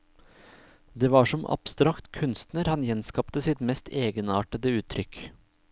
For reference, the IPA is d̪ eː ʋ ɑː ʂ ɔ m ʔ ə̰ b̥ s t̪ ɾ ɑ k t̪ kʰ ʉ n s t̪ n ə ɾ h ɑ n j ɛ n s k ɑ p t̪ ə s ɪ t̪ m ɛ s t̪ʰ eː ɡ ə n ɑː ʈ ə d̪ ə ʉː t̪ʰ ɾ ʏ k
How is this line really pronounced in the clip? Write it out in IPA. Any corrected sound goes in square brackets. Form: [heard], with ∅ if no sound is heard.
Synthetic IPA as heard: d̪ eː ʋ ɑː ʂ ɔ m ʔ [ɑ̰] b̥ s t̪ ɾ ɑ k t̪ kʰ ʉ n s t̪ n ə ɾ h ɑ n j ɛ n s k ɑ p t̪ ə s ɪ t̪ m ɛ s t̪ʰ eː ɡ ə n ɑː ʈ ə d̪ ə ʉː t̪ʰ ɾ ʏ k